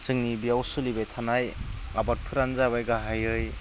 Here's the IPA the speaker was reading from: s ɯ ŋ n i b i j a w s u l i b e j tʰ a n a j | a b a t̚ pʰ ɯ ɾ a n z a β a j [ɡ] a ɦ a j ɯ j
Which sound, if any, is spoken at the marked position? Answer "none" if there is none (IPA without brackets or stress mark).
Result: ɡ